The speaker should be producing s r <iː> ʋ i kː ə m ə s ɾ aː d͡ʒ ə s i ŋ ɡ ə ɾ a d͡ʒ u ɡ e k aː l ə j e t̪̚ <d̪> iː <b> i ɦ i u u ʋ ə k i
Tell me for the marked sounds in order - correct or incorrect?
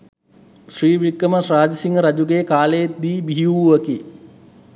correct, correct, correct

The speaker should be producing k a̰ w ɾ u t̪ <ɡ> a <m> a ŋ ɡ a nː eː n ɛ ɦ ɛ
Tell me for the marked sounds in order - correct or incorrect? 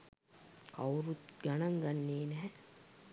correct, incorrect: n

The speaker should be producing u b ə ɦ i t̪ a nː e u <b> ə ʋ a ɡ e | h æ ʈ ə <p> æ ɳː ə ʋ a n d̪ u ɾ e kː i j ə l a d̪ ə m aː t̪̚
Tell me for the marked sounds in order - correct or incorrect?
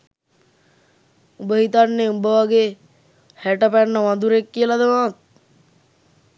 correct, correct

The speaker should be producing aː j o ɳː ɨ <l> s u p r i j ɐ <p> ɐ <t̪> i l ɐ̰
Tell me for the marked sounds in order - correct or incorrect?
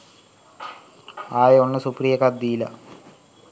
incorrect: none, incorrect: k, incorrect: d̪

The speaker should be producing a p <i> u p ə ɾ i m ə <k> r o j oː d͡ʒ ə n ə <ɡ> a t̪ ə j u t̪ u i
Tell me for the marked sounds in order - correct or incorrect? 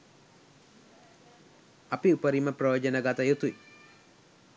correct, incorrect: p, correct

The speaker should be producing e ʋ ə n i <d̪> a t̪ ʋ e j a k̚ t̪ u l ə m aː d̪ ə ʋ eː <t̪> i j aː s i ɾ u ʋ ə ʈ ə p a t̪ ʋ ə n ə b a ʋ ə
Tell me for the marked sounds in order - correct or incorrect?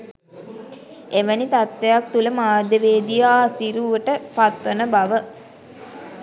incorrect: t̪, incorrect: d̪

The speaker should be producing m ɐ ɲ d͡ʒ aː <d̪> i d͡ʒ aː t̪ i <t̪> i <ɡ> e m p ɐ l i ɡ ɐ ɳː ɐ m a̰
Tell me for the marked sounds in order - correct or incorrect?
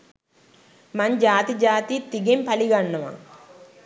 incorrect: t̪, correct, correct

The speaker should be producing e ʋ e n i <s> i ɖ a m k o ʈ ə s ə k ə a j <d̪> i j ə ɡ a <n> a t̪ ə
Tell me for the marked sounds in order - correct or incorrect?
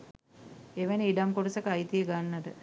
incorrect: none, incorrect: t̪, incorrect: nː

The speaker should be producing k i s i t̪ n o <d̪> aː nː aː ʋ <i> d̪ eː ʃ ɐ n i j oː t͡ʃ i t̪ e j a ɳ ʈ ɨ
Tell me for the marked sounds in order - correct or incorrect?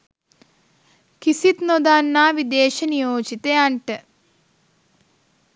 correct, correct

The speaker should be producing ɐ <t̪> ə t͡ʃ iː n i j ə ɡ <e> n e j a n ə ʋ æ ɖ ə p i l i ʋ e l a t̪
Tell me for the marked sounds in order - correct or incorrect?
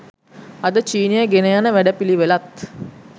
incorrect: d̪, correct

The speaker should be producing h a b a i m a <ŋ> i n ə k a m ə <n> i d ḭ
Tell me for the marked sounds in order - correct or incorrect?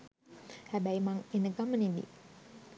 correct, correct

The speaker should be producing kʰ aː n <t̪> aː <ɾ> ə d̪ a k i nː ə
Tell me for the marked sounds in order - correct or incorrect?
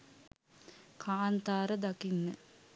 correct, correct

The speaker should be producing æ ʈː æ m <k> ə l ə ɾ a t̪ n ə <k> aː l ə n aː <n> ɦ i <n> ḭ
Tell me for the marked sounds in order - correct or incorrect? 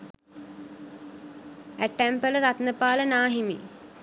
incorrect: p, incorrect: p, incorrect: none, incorrect: m

